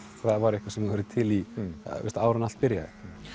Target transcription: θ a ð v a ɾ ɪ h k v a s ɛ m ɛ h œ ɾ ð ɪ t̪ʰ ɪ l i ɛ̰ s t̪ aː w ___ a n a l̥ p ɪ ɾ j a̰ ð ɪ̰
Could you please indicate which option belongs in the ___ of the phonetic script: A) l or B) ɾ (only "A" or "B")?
B